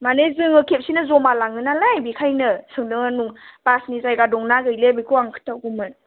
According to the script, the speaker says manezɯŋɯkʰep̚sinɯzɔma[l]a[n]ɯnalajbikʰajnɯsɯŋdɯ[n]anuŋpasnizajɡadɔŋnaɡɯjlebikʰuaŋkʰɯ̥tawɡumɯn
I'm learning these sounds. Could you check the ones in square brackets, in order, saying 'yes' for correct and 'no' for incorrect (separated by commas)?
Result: yes, no, no